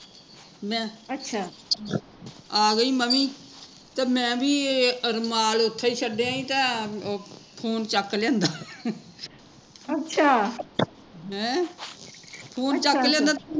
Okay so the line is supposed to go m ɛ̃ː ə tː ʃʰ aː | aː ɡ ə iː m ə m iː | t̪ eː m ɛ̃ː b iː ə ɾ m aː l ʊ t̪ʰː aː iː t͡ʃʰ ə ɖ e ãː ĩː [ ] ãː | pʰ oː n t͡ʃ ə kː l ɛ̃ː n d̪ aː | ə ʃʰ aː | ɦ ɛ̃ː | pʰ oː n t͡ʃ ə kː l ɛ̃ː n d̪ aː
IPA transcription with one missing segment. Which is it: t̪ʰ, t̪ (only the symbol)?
t̪